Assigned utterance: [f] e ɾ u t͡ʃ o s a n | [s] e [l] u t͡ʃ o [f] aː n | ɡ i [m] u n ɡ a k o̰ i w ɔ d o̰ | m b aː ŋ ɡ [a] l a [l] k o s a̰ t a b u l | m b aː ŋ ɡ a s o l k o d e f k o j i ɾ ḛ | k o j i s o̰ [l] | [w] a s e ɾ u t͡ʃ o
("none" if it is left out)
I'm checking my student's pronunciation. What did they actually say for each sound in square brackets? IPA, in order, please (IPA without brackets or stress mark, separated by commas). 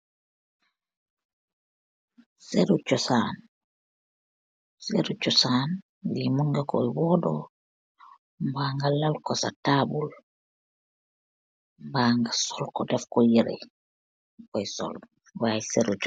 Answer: s, s, ɾ, s, m, a, l, l, w